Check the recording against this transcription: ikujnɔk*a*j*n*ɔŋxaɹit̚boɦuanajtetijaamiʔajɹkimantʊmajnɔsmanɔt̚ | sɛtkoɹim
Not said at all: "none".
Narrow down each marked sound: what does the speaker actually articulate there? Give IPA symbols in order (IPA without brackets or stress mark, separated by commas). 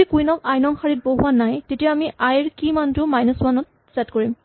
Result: a, n